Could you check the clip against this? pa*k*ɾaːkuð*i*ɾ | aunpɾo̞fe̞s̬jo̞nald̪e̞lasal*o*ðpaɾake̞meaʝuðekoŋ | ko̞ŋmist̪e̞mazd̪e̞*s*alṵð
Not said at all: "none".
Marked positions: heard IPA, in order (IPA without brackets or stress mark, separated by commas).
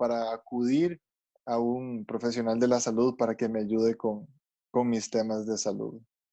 none, i, u, s